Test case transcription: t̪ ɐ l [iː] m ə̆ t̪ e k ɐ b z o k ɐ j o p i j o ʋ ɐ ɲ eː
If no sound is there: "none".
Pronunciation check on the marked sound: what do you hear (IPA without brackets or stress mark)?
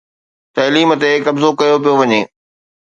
iː